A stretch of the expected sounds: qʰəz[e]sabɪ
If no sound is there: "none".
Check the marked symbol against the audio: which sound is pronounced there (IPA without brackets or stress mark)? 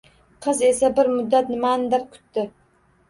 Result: e